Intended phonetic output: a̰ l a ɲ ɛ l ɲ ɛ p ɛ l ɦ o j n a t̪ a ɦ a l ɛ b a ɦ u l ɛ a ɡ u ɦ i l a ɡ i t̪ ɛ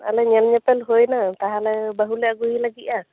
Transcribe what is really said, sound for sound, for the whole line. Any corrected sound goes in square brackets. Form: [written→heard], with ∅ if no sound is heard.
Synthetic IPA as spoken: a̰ l [a→ɛ] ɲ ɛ l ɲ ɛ p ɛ l ɦ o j n a t̪ a ɦ a l ɛ b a ɦ u l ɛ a ɡ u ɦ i l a ɡ i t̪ [ɛ→a]